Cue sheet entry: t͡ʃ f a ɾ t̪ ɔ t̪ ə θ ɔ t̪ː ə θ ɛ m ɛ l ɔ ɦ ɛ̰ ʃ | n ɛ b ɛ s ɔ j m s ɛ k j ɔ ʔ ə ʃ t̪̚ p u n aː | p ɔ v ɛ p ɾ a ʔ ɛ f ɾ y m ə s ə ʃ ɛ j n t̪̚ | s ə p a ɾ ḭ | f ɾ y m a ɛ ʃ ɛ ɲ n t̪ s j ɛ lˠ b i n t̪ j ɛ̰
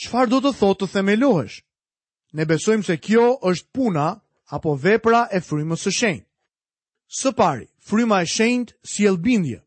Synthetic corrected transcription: t͡ʃ f a ɾ d̪ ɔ t̪ ə θ ɔ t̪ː ə θ ɛ m ɛ l ɔ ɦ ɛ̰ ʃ | n ɛ b ɛ s ɔ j m s ɛ k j ɔ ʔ ə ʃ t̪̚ p u n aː | p ɔ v ɛ p ɾ a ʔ ɛ f ɾ y m ə s ə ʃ ɛ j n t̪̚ | s ə p a ɾ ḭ | f ɾ y m a ɛ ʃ ɛ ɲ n t̪ s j ɛ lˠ b i n d̪ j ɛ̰